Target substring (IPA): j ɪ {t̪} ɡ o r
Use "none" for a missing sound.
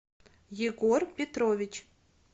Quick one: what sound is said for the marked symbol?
none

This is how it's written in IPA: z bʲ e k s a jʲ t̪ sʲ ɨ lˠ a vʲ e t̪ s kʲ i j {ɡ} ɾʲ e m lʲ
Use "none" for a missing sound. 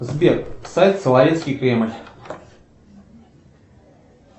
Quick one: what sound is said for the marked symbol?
k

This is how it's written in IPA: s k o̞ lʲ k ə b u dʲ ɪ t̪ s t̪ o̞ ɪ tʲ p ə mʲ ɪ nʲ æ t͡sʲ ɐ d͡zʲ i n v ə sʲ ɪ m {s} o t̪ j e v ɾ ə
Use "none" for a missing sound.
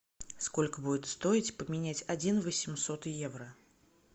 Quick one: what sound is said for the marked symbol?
s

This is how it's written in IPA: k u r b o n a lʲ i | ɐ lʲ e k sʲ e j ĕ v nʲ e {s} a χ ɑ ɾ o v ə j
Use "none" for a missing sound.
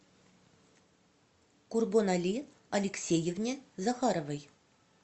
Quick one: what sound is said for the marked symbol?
z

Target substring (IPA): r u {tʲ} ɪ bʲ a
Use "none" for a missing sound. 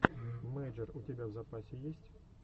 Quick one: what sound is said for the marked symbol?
tʲ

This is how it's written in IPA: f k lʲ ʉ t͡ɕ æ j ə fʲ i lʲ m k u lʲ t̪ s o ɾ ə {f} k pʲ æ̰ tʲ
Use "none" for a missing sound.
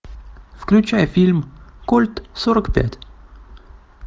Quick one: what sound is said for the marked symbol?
none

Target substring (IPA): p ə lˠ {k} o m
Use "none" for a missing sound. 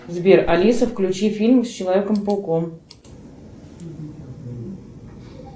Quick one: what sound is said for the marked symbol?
k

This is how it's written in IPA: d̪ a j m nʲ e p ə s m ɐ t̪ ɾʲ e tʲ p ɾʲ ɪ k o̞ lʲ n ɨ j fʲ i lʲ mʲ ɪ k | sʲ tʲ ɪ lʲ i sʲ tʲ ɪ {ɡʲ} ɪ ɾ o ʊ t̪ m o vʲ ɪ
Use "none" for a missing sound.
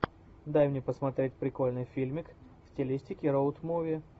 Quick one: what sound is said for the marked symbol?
kʲ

